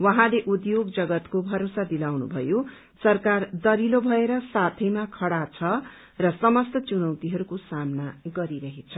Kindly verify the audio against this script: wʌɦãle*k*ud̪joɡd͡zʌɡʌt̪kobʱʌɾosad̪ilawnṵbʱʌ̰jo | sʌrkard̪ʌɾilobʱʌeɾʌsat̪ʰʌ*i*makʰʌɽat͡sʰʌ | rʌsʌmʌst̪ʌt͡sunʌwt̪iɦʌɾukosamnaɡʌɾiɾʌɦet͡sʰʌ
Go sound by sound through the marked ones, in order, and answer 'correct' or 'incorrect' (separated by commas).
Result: incorrect, incorrect